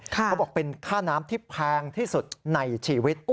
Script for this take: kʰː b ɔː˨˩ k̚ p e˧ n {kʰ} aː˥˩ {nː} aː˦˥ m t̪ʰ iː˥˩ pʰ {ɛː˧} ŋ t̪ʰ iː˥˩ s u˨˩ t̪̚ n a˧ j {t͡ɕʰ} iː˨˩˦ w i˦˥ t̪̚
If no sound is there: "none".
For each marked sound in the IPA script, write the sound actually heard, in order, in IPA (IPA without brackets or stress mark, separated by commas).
kʰ, n, ɛː˧, t͡ɕʰ